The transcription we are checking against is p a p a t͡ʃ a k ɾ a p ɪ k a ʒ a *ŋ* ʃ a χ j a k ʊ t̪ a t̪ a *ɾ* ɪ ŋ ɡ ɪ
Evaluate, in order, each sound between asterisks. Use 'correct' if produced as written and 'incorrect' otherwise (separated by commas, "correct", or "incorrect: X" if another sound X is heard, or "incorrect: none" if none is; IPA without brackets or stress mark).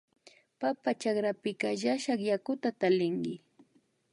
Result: incorrect: none, incorrect: l